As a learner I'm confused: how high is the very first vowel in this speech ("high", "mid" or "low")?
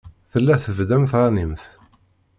mid